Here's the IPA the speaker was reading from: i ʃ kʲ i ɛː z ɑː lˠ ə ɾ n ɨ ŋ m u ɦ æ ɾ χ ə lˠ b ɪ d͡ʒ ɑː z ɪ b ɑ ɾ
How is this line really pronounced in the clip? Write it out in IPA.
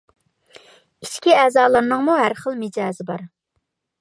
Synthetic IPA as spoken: i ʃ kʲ i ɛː z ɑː lˠ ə ɾ n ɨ ŋ m u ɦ æ ɾ χ ə lˠ m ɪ d͡ʒ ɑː z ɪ b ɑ ɾ